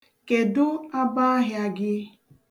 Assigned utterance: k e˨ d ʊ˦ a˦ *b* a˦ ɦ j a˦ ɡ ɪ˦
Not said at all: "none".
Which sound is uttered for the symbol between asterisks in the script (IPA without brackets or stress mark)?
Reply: b